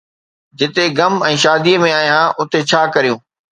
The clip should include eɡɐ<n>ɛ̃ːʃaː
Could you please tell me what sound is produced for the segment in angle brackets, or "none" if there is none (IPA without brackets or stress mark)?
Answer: m